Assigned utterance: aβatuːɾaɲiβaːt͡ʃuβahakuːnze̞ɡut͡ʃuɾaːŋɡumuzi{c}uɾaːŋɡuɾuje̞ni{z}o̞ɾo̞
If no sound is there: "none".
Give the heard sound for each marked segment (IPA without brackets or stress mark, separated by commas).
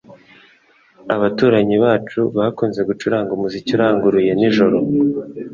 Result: c, ʒ